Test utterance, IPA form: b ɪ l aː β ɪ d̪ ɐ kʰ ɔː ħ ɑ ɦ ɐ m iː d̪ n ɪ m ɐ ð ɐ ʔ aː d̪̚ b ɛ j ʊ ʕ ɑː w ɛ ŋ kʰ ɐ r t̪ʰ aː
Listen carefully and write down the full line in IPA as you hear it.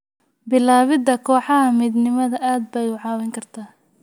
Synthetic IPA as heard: b ɪ l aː β ɪ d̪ ɐ kʰ ɔː ħ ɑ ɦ ɐ m iː d̪ n ɪ m ɐ ð ɐ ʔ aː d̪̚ b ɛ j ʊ ʕ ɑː w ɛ ŋ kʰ ɐ r t̪ʰ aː